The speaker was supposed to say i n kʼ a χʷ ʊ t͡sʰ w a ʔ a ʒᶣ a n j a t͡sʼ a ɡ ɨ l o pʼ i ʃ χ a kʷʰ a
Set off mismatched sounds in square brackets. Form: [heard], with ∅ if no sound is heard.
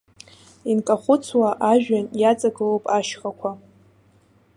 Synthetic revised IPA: i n kʼ a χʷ ʊ t͡sʰ w a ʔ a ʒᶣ a n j a t͡sʼ a ɡ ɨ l o pʼ [a] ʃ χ a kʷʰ a